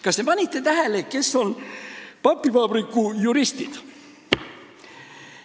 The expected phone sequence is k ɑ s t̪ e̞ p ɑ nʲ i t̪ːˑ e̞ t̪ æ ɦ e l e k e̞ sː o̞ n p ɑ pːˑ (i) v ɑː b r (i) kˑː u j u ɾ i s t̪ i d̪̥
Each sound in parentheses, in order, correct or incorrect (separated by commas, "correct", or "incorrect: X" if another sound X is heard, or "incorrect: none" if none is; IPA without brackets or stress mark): correct, correct